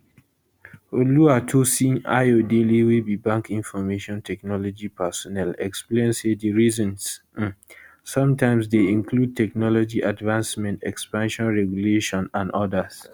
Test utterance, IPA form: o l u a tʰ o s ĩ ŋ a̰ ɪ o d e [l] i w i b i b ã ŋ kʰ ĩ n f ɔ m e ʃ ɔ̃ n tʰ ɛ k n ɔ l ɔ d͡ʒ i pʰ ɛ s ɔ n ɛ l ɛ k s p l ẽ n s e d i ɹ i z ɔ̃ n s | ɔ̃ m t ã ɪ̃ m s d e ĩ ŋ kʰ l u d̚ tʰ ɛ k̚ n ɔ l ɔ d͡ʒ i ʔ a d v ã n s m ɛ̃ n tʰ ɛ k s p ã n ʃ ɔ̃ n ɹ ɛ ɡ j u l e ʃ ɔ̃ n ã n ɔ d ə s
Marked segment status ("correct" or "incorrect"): correct